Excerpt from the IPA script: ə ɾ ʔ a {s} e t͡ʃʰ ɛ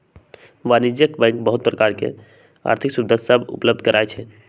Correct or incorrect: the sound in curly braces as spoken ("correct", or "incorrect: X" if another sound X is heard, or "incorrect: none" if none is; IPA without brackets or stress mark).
incorrect: none